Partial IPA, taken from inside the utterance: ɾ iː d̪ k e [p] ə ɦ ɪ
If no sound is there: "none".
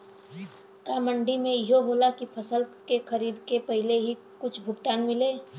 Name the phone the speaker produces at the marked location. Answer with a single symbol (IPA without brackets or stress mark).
p